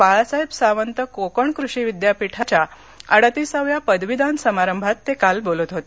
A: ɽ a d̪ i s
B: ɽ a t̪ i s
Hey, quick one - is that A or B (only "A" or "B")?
B